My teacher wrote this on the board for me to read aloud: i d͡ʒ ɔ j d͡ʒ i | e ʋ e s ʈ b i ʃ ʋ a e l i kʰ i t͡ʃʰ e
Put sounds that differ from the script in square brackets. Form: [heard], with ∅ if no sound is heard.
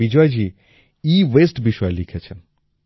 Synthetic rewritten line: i d͡ʒ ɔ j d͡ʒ i | [i] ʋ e s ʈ b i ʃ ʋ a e l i kʰ [e] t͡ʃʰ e